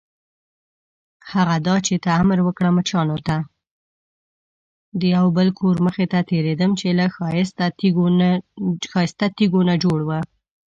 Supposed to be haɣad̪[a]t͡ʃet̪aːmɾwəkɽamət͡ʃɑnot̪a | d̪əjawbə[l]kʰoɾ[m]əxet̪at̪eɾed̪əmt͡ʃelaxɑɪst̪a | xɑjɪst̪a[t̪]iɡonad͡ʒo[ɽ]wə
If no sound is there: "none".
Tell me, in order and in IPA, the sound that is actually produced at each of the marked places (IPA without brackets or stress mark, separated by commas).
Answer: ɑ, l, m, t̪, ɽ